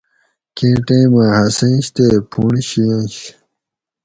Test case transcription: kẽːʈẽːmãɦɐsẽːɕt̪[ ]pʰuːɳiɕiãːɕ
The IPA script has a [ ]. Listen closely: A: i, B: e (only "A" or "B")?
B